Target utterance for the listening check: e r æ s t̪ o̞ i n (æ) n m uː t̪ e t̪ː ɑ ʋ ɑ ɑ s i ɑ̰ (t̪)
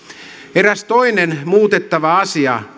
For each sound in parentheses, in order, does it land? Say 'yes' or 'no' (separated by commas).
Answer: no, no